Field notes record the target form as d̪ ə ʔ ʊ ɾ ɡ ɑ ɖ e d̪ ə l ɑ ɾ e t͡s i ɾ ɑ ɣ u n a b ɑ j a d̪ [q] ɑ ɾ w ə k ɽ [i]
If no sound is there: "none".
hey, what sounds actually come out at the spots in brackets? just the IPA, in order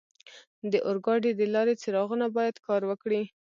k, i

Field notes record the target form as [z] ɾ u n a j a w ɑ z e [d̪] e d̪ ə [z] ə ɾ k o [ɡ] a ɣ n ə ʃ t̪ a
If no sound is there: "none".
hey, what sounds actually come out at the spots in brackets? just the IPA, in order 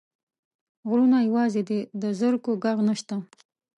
ɣ, d̪, z, ɡ

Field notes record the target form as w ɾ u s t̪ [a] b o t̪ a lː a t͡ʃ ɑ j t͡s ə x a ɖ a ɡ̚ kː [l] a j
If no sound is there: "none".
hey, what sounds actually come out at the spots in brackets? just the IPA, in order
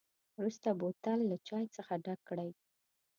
a, ɽ

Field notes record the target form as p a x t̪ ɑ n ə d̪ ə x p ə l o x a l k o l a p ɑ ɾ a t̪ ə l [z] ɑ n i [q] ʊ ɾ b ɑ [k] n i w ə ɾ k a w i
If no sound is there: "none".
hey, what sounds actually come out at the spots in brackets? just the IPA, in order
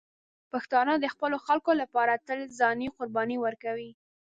z, q, none

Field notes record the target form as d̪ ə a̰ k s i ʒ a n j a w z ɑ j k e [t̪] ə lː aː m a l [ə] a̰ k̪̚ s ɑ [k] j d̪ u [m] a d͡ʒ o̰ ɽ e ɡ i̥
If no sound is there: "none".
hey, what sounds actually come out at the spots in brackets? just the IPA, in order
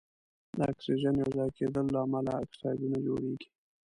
d̪, a, none, n

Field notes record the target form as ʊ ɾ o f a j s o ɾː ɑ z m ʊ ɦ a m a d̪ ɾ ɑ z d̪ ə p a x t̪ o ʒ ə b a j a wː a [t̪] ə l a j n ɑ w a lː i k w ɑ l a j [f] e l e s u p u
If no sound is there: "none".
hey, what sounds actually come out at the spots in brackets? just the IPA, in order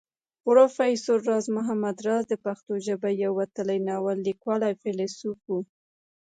t̪, f

